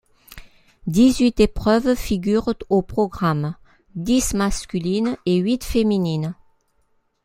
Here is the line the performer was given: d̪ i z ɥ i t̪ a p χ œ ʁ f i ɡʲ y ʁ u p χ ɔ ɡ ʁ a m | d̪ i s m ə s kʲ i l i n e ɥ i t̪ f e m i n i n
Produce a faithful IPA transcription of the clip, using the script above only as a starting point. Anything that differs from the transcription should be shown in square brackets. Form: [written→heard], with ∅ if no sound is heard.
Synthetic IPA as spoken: d̪ i z ɥ i t̪ [a→e] p χ œ [ʁ→v] f i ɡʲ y ʁ [u→o] p χ ɔ ɡ ʁ a m | d̪ i s m [ə→a] s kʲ [i→y] l i n e ɥ i t̪ f e m i n i n